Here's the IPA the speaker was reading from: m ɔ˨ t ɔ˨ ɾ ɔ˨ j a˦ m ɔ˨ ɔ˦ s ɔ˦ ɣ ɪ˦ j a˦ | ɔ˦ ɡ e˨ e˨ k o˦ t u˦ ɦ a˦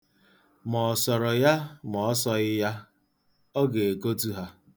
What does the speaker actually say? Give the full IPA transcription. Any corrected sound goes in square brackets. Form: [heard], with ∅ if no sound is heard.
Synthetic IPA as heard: m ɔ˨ [s] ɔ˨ ɾ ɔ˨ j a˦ m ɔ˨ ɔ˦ s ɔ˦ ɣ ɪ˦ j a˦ | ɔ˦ ɡ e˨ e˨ k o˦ t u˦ ɦ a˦